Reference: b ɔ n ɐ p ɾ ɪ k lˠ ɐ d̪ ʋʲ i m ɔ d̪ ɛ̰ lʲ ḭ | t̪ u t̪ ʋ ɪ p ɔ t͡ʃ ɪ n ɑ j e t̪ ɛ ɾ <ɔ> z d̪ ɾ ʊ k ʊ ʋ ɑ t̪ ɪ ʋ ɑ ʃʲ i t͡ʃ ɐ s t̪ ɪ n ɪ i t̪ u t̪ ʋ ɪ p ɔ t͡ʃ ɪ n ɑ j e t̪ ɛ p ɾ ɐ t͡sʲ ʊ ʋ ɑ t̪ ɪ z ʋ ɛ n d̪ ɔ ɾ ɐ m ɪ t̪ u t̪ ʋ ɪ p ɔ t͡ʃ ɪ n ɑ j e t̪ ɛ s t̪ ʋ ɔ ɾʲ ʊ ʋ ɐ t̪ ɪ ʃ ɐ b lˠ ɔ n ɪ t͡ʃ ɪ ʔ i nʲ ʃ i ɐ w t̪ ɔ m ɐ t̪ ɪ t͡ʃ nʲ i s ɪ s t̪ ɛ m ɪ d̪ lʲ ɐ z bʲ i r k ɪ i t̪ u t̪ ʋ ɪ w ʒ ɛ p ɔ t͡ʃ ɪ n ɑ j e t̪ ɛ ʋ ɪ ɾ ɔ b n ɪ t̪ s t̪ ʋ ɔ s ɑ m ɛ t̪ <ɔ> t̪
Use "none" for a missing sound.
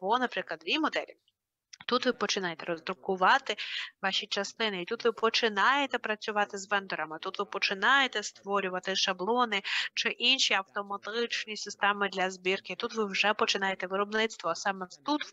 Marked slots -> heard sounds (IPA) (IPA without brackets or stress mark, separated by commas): ɔ, u